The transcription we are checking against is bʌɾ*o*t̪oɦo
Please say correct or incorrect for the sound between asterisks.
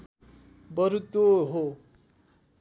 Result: incorrect